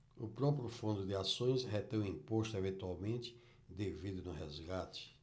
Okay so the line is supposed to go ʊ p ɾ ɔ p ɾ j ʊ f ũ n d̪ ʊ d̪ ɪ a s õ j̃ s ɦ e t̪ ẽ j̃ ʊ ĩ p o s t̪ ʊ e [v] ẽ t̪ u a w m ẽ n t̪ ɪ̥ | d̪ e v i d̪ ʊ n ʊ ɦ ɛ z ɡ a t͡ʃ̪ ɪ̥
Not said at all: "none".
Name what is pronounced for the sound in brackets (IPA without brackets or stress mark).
v